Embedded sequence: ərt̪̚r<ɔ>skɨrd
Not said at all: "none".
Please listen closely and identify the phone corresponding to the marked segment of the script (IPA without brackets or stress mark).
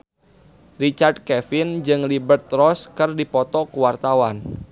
ɔ